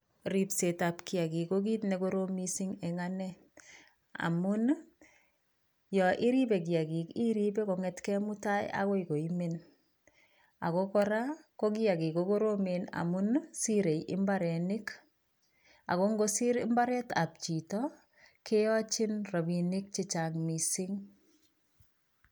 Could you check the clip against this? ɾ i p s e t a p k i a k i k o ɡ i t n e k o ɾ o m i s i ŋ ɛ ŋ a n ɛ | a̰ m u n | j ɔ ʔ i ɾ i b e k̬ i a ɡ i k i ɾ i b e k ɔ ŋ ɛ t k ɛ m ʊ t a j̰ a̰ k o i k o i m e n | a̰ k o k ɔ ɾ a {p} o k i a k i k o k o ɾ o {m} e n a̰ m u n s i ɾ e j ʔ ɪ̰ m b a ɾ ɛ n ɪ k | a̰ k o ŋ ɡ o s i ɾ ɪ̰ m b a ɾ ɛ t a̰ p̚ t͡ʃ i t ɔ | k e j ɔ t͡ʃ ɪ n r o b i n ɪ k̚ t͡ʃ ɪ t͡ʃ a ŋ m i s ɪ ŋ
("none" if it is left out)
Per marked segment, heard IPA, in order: k, m

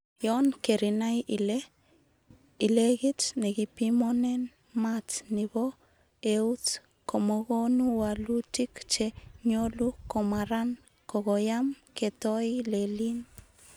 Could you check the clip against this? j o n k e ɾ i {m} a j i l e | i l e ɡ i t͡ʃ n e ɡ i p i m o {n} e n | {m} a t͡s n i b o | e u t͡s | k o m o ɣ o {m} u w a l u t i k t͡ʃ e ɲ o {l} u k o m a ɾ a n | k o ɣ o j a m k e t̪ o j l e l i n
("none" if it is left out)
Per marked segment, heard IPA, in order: n, n, m, n, l

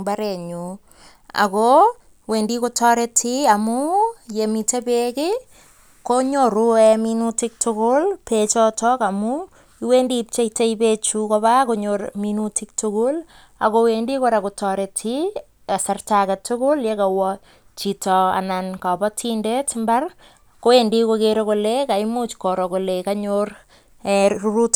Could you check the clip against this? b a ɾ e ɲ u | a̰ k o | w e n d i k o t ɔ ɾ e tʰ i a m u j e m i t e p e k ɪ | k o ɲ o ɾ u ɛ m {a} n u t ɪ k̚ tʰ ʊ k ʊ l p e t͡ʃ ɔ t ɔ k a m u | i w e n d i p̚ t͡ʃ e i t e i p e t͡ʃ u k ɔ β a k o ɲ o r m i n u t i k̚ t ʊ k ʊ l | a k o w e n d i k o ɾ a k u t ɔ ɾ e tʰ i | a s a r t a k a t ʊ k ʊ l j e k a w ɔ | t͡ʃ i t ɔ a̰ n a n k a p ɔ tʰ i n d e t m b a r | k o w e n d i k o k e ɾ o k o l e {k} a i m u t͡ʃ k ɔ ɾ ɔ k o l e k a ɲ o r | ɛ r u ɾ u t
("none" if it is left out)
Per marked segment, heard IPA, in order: i, k

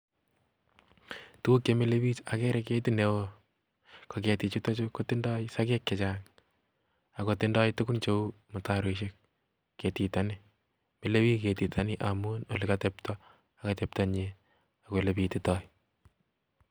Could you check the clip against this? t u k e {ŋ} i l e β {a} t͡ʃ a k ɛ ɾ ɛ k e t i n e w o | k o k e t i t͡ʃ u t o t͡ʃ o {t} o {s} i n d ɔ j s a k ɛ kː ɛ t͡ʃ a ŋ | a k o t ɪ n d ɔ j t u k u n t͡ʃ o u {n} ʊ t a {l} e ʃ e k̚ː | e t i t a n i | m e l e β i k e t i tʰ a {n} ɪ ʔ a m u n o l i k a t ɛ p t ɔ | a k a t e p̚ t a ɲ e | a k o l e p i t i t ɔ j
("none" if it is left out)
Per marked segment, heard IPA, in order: m, i, k, t, m, ɾ, n

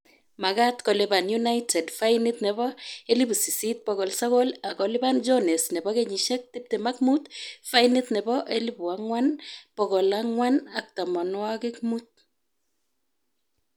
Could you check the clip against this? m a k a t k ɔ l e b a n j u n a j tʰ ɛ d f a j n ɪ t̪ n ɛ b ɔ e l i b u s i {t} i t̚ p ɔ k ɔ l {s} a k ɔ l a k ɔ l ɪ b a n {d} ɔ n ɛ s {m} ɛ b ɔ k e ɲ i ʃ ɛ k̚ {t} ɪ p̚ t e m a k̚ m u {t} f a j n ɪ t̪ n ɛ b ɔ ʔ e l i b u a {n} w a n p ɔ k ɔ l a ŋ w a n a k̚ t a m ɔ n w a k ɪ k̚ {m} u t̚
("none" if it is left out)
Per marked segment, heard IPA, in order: s, s, d͡ʒ, n, t, t, ŋ, m

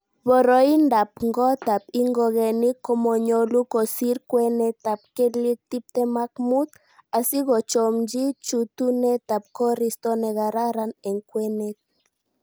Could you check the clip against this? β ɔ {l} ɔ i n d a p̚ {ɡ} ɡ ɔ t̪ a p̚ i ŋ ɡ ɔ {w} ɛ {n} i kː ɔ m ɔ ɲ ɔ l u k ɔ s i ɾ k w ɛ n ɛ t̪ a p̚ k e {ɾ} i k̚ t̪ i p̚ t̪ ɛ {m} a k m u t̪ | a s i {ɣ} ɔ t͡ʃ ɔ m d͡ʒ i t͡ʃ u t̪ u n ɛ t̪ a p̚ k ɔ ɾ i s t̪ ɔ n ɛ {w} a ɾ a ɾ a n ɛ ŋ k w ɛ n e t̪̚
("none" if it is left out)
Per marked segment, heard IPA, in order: ɾ, ŋ, ɣ, n, l, m, ɣ, ɣ

